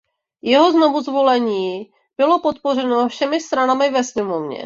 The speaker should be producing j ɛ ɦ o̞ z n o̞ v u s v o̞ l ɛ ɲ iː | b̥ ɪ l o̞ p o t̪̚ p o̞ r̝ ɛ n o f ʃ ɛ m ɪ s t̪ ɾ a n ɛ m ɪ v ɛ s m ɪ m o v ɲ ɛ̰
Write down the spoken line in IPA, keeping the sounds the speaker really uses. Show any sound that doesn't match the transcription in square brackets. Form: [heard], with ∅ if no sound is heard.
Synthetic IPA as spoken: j ɛ ɦ o̞ z n o̞ v u [z] v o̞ l ɛ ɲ iː | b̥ ɪ l o̞ p o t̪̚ p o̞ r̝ ɛ n o f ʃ ɛ m ɪ s t̪ ɾ a n [a] m ɪ v ɛ s m ɪ m o v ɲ ɛ̰